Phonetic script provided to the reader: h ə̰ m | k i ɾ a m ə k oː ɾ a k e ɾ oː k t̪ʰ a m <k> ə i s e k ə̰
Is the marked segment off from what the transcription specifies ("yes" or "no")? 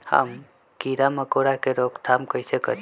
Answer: no